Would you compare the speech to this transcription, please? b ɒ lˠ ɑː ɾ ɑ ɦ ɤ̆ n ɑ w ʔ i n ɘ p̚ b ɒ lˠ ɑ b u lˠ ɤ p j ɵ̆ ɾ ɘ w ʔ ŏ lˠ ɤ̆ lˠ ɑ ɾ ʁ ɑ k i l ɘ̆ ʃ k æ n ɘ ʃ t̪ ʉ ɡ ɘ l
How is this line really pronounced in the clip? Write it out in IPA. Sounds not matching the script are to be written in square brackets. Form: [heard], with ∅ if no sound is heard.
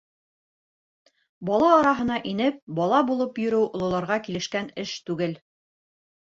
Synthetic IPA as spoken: b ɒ lˠ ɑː ɾ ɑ ɦ ɤ̆ n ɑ [∅] ʔ i n ɘ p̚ b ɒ lˠ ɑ b u lˠ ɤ p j ɵ̆ ɾ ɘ w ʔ ŏ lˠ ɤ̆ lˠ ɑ ɾ ʁ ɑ k i l ɘ̆ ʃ k æ n ɘ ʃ t̪ ʉ ɡ ɘ l